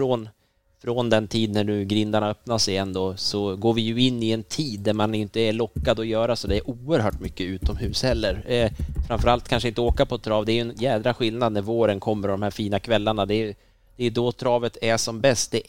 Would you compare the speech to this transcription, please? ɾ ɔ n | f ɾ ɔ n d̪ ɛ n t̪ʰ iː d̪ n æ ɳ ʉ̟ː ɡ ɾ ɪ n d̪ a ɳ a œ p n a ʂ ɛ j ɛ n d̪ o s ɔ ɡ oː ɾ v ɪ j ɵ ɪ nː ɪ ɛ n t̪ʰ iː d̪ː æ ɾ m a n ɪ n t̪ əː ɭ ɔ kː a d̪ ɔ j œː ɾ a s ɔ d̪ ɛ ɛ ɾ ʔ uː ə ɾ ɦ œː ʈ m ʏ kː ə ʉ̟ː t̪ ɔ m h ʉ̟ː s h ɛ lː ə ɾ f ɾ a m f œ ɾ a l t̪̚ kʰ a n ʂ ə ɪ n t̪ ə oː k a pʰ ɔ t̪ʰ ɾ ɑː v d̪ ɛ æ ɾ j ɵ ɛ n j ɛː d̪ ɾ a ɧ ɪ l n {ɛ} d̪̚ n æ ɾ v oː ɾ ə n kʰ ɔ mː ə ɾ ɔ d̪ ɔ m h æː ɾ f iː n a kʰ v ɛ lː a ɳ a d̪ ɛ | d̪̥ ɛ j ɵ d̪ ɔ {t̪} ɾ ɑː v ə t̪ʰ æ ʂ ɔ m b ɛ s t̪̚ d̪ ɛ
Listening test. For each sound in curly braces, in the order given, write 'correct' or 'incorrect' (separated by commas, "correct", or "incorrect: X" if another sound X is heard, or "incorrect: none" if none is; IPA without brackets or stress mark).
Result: incorrect: a, incorrect: t̪ʰ